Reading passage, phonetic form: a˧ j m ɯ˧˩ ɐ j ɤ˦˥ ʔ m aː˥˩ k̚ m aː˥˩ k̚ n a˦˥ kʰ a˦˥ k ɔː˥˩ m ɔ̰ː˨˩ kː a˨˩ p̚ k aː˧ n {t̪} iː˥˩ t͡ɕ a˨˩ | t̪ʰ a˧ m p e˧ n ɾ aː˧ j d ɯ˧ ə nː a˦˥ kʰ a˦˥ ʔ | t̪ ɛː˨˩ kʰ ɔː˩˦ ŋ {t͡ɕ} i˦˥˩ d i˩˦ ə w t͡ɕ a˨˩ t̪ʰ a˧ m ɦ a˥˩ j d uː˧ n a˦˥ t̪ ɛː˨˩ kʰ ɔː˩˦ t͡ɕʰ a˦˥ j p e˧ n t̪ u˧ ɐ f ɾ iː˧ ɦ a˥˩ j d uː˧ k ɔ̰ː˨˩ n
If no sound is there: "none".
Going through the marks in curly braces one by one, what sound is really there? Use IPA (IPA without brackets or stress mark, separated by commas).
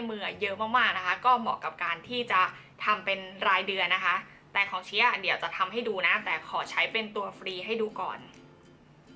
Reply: t̪ʰ, t͡ɕʰ